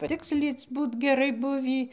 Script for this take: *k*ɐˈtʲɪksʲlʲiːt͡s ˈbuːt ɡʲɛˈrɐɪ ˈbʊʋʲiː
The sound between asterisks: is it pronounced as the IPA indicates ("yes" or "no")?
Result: no